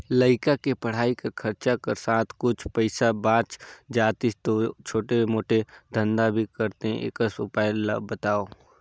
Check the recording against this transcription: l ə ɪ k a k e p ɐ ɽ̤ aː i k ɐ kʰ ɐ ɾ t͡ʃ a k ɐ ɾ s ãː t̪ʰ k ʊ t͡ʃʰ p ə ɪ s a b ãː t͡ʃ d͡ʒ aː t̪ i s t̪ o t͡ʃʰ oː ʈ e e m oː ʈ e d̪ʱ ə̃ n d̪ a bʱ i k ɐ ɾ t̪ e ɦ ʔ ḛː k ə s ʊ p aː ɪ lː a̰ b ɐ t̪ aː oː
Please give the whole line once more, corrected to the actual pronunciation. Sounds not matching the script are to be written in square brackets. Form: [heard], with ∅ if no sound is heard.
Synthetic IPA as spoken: l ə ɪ k a k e p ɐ ɽ̤ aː i k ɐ kʰ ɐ ɾ t͡ʃ a k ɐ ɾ s [aː] t̪ʰ k ʊ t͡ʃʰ p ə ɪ s a b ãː t͡ʃ d͡ʒ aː t̪ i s t̪ o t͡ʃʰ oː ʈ e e m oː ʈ e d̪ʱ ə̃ n d̪ a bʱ i k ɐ ɾ t̪ e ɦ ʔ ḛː k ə s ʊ p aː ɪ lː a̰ b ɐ t̪ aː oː